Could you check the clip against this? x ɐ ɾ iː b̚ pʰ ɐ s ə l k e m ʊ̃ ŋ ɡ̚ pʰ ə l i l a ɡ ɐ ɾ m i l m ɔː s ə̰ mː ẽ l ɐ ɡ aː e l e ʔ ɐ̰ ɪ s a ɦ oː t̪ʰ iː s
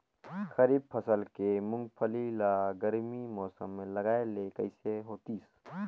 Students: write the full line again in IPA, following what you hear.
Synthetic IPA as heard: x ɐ ɾ iː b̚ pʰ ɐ s ə l k e m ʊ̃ ŋ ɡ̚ pʰ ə l i l a ɡ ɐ ɾ m i m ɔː s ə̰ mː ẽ l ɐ ɡ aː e l e k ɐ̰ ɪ s e ɦ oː t̪ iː s